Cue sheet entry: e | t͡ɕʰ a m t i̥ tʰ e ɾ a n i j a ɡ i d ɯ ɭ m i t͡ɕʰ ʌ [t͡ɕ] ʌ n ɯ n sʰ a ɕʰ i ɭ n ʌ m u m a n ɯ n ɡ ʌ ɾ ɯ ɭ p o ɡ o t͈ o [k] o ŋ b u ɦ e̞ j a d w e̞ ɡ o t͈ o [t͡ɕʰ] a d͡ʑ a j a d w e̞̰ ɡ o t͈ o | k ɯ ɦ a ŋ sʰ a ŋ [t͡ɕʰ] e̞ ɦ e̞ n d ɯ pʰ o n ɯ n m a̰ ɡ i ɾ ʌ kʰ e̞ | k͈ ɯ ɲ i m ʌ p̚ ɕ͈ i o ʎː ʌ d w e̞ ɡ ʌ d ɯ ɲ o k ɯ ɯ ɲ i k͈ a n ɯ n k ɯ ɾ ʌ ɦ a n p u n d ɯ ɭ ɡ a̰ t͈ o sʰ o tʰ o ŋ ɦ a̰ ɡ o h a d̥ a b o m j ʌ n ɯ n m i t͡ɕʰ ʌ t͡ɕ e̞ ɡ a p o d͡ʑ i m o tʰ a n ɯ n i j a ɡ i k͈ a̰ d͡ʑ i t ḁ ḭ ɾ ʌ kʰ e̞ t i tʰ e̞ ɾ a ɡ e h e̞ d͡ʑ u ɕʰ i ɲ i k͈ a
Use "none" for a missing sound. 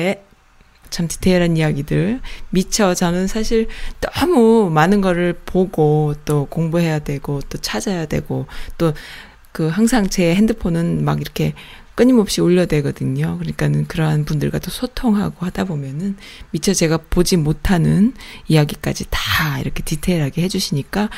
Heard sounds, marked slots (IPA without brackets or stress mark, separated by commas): t͡ɕ, k, t͡ɕʰ, t͡ɕ